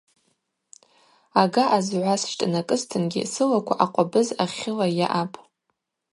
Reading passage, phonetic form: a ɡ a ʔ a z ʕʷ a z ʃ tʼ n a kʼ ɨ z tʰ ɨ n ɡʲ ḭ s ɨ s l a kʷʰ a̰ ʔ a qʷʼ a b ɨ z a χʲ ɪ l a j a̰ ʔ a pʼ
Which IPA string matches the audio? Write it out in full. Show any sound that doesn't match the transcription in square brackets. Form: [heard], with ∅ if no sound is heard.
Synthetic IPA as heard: a ɡ a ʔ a z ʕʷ a [s] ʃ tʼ n a kʼ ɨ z tʰ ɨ n ɡʲ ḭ s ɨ [∅] l a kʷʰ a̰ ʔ a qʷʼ a b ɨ z a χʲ ɪ l a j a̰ ʔ a pʼ